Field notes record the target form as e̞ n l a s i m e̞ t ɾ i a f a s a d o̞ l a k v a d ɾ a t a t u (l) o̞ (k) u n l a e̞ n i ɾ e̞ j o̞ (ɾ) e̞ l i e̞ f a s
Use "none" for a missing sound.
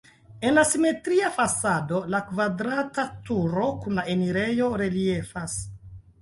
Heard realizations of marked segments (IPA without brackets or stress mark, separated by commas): ɾ, k, ɾ